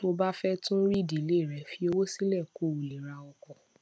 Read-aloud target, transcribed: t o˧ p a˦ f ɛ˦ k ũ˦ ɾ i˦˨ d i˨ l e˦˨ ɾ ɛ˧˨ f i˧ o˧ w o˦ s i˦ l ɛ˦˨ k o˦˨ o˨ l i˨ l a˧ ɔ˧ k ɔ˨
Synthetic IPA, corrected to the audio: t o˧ b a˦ f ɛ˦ t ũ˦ ɾ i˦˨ d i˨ l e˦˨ ɾ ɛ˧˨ f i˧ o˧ w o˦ s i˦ l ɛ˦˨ k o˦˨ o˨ l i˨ ɾ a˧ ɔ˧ k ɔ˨